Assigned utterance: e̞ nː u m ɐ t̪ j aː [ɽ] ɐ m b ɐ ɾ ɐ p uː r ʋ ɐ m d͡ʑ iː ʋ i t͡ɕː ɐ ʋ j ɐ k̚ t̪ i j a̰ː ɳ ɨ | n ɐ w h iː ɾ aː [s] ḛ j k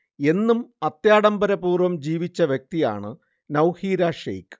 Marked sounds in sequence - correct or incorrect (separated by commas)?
correct, incorrect